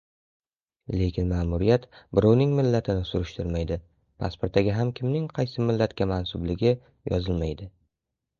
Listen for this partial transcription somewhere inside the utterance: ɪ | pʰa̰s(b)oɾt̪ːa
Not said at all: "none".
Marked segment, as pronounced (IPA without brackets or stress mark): p